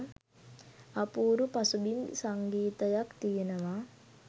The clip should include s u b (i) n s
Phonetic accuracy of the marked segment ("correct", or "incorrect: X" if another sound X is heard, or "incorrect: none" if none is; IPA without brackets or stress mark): correct